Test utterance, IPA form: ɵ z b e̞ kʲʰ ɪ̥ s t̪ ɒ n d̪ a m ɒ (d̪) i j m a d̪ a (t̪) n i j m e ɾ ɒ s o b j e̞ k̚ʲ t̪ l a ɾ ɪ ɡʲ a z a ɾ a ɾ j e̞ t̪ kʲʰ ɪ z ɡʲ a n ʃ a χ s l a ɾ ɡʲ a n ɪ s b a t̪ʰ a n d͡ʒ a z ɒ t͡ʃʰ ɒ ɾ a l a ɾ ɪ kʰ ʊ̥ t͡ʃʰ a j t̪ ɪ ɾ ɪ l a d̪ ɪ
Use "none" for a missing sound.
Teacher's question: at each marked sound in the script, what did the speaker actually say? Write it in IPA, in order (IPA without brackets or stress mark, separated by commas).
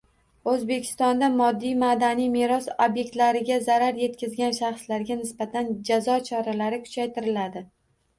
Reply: d̪ː, none